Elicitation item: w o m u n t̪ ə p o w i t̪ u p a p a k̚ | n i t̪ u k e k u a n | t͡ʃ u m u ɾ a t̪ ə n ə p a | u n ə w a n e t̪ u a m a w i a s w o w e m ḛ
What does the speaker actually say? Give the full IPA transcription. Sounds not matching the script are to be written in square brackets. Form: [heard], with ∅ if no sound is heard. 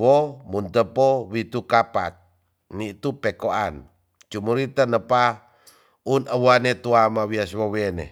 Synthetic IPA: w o m u n t̪ ə p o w i t̪ u [k] a p a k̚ | n i t̪ u [p] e k [o] a n | t͡ʃ u m u ɾ [i] t̪ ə n ə p a | u n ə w a n e t̪ u a m a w i a s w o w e [n] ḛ